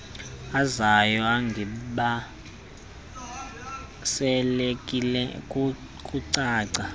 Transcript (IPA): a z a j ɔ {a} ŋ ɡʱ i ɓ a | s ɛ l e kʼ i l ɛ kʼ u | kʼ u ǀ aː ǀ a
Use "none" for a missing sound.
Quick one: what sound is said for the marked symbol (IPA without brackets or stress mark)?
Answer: a